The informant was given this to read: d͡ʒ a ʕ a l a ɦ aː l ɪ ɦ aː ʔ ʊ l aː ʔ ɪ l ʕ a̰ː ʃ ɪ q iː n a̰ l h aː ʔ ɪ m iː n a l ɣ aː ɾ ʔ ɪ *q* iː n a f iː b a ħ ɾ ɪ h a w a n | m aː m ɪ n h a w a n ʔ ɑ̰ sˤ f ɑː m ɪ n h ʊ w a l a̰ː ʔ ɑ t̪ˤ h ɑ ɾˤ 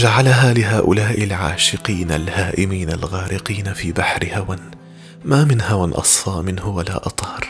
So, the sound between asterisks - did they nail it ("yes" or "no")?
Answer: yes